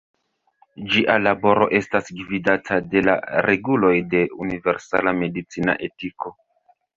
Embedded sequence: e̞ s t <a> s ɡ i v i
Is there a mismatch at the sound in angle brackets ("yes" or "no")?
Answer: no